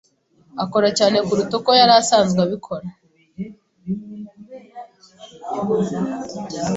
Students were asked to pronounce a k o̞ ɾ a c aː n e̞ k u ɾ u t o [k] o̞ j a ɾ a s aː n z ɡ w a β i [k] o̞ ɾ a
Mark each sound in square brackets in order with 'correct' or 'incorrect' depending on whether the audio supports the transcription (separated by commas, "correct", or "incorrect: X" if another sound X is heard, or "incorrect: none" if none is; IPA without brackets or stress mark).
correct, incorrect: kʰ